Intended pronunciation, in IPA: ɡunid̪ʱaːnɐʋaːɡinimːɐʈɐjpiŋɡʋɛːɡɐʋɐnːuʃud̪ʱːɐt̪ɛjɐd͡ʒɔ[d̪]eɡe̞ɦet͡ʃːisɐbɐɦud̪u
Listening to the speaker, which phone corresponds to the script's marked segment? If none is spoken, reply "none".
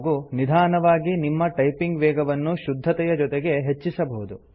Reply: t̪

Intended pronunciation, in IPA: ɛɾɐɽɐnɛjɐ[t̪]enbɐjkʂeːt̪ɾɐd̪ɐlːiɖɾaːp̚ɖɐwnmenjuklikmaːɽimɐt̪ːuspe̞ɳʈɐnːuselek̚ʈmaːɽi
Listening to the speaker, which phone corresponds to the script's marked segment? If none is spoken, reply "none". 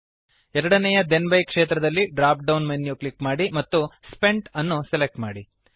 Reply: d̪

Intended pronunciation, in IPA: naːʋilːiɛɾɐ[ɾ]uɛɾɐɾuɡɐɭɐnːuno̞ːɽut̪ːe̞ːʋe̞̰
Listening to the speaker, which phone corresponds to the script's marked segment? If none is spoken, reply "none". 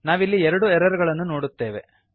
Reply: ɽ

